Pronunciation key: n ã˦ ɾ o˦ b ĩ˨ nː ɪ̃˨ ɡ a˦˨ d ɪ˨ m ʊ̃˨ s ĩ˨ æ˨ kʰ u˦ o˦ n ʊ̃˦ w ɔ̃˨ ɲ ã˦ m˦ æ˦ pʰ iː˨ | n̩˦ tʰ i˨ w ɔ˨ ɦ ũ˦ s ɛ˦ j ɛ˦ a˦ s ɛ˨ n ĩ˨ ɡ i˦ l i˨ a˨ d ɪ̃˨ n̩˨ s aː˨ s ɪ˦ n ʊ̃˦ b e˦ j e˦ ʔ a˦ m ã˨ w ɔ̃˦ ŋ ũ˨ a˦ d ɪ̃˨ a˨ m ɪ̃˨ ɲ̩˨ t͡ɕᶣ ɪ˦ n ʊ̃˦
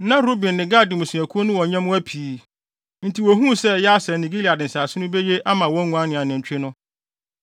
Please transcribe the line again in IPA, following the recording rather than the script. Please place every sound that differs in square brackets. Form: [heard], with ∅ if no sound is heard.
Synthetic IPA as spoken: n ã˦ ɾ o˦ b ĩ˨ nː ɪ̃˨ ɡ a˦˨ d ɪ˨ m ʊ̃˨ s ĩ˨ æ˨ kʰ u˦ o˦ n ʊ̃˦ w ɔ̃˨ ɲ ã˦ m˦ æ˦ pʰ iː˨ | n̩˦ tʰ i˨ w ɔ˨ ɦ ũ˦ s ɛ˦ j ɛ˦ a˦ s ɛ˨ n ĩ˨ ɡ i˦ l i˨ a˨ d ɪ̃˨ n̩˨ s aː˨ s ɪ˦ n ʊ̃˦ b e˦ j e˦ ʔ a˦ m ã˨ w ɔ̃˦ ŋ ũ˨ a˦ [n] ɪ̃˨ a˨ [n] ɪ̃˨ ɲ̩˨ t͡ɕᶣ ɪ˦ n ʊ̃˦